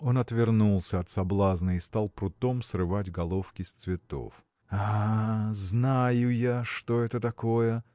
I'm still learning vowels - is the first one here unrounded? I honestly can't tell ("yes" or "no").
no